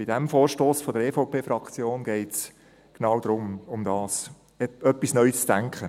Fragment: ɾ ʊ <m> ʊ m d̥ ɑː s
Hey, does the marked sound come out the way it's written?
yes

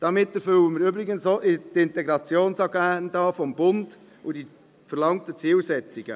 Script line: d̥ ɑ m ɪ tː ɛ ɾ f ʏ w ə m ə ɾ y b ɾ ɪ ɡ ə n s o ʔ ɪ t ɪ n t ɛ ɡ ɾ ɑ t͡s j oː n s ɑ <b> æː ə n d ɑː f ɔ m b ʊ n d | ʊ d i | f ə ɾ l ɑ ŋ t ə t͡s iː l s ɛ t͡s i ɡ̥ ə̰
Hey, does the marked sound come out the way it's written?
no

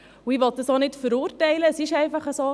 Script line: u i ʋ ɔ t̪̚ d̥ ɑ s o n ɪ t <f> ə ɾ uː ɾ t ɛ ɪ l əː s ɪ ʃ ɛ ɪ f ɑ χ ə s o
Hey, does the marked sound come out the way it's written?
yes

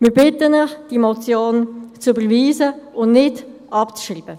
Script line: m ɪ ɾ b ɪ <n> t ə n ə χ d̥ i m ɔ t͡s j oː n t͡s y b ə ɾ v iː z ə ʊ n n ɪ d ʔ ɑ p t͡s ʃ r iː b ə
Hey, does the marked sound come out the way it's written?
no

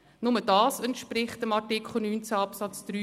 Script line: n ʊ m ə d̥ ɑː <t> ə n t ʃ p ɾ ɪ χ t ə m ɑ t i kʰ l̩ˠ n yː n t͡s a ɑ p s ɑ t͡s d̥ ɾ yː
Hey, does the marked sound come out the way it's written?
no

